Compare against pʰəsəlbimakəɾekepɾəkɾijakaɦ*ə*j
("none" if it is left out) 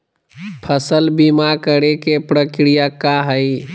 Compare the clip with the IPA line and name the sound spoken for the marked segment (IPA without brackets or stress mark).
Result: ə